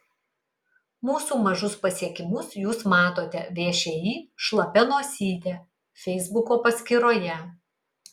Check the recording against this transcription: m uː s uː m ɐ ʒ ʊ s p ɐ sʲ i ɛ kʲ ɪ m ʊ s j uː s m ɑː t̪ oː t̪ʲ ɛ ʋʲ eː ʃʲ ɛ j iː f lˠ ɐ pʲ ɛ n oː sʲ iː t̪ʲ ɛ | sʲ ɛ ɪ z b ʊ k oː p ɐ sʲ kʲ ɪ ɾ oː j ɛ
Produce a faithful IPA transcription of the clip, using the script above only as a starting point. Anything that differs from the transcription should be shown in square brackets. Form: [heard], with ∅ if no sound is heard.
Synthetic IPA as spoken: m uː s uː m ɐ ʒ ʊ s p ɐ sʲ i ɛ kʲ ɪ m ʊ s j uː s m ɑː t̪ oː t̪ʲ ɛ ʋʲ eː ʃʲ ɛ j iː [ʃ] lˠ ɐ pʲ ɛ n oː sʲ iː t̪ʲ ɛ | [fʲ] ɛ ɪ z b ʊ k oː p ɐ sʲ kʲ ɪ ɾ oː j ɛ